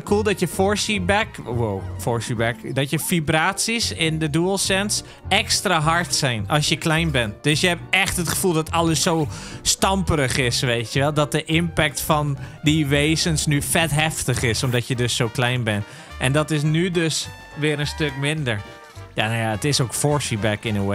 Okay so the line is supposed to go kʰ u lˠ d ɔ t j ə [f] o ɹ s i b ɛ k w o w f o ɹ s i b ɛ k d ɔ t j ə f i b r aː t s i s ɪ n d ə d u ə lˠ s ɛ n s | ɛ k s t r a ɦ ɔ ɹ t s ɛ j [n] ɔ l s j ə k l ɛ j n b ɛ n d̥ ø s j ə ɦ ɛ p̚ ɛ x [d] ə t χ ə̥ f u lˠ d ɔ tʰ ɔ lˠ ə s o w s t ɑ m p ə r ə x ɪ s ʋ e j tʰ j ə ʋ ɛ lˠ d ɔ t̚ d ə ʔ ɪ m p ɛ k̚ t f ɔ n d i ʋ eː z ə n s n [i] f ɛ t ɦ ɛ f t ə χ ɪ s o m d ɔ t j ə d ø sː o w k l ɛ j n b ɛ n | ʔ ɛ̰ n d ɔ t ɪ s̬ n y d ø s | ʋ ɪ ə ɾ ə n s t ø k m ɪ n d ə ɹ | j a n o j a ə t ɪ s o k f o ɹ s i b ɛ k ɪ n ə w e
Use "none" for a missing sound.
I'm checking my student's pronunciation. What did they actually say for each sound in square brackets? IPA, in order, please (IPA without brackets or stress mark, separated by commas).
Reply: f, n, t, y